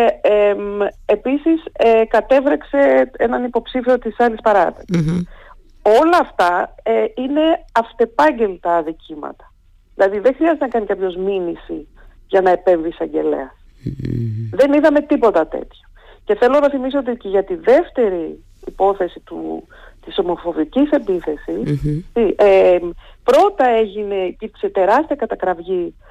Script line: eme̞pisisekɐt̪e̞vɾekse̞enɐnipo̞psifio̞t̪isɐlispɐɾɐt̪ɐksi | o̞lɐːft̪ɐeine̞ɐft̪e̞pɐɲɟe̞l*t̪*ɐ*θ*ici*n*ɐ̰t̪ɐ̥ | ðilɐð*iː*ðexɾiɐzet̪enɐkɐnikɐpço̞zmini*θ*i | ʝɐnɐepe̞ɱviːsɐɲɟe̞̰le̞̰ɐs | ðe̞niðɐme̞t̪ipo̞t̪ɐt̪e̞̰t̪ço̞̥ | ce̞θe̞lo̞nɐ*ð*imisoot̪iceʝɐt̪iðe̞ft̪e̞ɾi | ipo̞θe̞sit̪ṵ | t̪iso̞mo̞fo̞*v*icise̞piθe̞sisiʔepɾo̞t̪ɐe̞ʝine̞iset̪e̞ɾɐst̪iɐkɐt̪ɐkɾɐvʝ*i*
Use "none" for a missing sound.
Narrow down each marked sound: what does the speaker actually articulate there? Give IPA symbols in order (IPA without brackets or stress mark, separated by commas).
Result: t̪, ð, m, i, s, θ, v, i